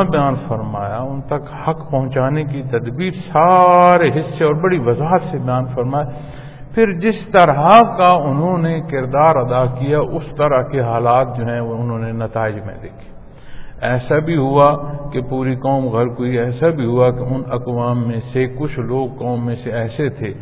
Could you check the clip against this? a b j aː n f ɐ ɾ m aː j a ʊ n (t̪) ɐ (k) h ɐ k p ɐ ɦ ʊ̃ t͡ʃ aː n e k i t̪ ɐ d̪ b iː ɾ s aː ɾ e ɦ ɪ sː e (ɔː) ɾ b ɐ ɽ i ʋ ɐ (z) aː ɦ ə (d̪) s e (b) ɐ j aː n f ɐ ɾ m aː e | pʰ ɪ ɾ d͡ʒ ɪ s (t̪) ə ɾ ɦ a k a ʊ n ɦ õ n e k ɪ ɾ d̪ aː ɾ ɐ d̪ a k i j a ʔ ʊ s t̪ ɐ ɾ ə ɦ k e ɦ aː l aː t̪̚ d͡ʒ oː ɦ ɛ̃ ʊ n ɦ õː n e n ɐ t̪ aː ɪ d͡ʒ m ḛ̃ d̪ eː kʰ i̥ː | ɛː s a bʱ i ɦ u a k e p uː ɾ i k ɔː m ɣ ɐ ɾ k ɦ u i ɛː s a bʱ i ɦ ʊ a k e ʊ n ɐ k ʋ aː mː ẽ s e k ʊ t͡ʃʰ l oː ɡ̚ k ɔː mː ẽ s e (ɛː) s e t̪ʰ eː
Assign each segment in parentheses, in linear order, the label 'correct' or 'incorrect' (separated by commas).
correct, correct, correct, correct, incorrect, correct, correct, correct